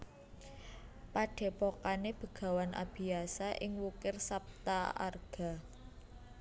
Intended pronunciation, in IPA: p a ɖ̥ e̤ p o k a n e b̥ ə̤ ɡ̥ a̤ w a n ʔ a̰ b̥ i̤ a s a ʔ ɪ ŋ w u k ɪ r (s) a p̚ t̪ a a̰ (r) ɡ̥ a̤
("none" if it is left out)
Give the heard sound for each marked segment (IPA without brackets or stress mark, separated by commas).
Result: s, r